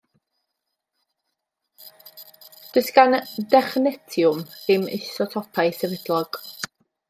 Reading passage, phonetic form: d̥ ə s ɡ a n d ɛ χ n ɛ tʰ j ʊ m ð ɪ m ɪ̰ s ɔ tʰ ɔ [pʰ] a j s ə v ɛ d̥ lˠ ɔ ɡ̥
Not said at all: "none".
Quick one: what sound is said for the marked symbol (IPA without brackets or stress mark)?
pʰ